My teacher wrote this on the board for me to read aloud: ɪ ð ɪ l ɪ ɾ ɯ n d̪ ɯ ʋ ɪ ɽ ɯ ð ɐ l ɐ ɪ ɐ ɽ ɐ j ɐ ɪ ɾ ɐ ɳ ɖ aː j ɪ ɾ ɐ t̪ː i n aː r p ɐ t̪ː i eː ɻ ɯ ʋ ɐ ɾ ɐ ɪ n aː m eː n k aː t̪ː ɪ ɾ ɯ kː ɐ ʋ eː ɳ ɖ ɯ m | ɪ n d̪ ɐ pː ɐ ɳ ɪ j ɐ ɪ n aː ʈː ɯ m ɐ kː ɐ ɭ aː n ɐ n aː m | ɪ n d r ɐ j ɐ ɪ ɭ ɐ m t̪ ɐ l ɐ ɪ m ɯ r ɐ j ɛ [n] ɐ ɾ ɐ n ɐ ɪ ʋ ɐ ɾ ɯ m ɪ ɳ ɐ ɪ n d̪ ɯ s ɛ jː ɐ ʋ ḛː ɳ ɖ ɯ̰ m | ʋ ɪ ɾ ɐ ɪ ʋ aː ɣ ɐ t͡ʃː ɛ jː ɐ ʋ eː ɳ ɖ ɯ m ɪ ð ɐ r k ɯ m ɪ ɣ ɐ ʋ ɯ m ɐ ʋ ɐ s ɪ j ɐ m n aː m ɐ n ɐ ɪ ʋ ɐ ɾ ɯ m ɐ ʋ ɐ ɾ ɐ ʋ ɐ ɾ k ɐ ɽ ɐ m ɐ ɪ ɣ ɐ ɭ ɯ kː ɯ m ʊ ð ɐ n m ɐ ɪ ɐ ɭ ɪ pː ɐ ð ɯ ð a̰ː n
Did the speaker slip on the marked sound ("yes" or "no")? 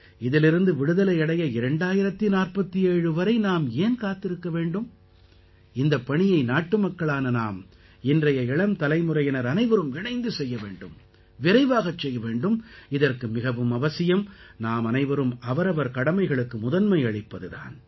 no